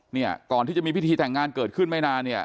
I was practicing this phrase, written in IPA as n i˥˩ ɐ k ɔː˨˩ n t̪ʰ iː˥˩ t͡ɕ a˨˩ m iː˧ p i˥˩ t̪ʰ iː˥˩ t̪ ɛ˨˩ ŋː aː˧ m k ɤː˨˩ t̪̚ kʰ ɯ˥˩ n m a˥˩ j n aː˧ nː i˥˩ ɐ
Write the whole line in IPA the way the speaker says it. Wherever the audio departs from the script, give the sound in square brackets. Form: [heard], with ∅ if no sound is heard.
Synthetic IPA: n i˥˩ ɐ k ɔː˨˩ n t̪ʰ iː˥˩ t͡ɕ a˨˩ m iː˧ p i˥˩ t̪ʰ [iː˧] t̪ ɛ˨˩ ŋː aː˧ [n] k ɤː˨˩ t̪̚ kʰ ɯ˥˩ n m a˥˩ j n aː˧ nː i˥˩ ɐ